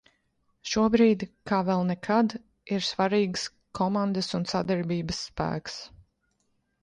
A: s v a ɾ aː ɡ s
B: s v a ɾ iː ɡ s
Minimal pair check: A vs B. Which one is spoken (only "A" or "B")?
B